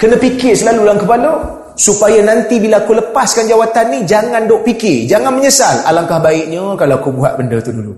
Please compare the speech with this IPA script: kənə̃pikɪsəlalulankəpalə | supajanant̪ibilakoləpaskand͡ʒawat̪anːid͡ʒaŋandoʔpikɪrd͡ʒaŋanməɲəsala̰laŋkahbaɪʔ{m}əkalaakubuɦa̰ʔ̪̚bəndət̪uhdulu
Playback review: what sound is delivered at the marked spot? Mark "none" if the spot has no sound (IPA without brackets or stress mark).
ɲ